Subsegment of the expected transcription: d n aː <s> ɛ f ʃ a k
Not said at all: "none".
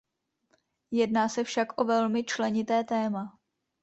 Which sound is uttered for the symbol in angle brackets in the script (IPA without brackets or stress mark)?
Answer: s